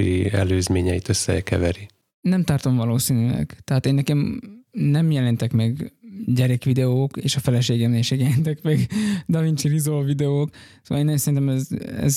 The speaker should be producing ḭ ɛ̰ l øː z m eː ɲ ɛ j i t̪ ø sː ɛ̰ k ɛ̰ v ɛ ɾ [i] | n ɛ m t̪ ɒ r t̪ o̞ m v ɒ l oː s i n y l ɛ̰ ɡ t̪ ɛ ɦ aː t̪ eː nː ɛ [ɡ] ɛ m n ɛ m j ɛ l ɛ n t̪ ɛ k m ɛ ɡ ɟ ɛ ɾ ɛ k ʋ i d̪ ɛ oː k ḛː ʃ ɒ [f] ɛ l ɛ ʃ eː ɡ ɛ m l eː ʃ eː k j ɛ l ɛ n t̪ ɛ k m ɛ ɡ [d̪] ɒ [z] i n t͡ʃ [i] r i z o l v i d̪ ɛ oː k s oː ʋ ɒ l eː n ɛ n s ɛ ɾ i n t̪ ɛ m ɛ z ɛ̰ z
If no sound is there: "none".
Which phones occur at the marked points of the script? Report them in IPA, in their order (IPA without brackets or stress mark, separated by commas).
i, k, f, d̪, v, i